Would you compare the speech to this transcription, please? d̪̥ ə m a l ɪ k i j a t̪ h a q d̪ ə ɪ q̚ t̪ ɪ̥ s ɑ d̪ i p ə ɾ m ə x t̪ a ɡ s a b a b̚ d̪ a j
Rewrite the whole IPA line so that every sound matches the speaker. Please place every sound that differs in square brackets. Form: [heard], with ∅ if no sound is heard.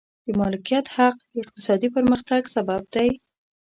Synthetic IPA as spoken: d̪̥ ə m [ɑ] l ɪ k i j a t̪ h a q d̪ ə ɪ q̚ t̪ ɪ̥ s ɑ d̪ i p ə ɾ m ə x t̪ a ɡ s a b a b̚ d̪ a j